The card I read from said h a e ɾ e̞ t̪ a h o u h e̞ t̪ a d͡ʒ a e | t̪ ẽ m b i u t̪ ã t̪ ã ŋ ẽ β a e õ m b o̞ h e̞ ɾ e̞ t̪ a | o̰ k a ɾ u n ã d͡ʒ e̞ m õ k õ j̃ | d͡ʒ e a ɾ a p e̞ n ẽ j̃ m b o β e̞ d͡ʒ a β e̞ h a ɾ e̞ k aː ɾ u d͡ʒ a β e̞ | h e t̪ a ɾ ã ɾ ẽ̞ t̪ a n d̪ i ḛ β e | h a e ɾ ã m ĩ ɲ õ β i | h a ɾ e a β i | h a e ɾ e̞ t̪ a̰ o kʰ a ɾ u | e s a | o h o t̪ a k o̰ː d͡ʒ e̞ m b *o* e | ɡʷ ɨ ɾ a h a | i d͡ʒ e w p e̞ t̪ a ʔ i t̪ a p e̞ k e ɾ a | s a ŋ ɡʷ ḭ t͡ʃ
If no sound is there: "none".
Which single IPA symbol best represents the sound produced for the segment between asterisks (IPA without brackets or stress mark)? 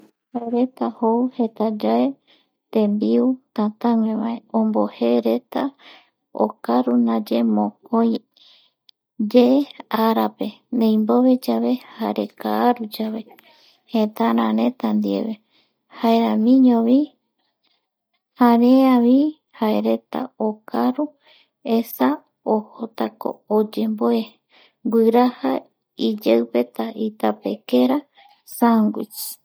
o